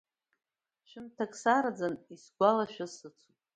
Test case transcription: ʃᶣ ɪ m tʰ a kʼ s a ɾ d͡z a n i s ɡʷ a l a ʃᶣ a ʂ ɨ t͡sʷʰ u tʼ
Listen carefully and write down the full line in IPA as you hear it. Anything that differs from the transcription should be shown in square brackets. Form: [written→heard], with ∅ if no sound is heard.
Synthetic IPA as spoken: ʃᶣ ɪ m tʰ a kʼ s a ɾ d͡z a n i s ɡʷ a l a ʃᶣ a [ʂ→s] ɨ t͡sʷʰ u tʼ